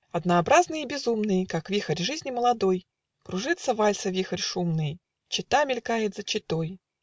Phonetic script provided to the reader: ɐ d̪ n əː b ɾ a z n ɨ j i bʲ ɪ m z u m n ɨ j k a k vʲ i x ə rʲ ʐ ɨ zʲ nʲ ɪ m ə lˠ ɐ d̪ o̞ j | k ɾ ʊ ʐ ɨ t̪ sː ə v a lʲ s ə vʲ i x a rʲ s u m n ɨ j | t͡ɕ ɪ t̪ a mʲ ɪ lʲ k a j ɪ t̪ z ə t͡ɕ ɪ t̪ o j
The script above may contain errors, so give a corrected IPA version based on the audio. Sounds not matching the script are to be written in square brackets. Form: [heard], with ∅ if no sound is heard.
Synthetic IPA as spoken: ɐ d̪ n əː b ɾ a z n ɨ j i bʲ ɪ [∅] z u m n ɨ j k a k vʲ i x ə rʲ ʐ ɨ zʲ nʲ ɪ m ə lˠ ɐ d̪ o̞ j | k ɾ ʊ ʐ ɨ t̪ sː ə v a lʲ s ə vʲ i x [ə] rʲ [ʂ] u m n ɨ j | t͡ɕ ɪ t̪ a mʲ ɪ lʲ k a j ɪ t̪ z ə t͡ɕ ɪ t̪ o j